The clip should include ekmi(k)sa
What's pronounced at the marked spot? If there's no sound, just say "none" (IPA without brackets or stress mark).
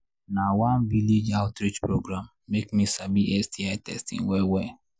none